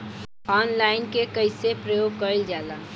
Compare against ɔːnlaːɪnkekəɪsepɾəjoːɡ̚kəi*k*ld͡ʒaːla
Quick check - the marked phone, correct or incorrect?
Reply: incorrect